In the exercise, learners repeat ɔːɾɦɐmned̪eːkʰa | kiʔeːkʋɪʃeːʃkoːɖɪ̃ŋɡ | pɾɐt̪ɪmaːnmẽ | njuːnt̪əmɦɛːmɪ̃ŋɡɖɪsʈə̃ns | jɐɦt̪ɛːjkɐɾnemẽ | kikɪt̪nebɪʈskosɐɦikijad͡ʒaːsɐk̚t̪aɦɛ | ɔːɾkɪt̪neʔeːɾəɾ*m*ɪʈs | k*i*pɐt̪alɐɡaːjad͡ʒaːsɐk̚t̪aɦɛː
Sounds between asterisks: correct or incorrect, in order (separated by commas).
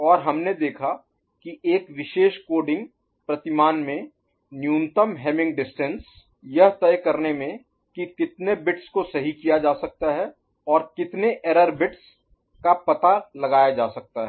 incorrect, incorrect